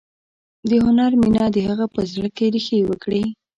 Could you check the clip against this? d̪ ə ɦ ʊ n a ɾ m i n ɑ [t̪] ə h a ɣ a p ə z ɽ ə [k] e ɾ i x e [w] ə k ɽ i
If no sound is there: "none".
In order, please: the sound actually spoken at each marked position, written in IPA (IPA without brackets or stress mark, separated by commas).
d̪, k, w